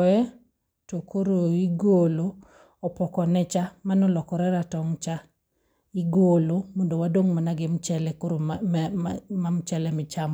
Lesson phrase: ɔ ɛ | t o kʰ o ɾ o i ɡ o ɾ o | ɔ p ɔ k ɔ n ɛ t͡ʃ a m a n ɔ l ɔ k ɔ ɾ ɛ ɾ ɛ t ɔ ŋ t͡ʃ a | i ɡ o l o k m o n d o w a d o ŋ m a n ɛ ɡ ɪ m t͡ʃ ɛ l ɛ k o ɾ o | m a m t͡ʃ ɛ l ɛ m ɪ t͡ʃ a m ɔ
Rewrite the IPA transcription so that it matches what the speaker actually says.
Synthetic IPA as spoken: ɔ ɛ | t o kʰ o ɾ o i ɡ o l o | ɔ p ɔ k ɔ n ɛ t͡ʃ a m a n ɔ l ɔ k ɔ ɾ ɛ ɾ a t ɔ ŋ t͡ʃ a | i ɡ o l o m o n d o w a d o ŋ m a n a ɡ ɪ m t͡ʃ ɛ l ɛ k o ɾ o | m a m t͡ʃ ɛ l ɛ m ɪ t͡ʃ a m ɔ